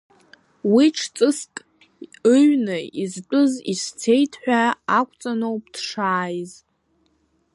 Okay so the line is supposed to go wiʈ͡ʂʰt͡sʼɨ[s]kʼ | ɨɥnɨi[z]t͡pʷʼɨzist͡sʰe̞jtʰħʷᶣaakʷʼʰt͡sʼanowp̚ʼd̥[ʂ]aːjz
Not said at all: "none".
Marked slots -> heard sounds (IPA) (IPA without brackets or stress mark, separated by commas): s, z, ʂ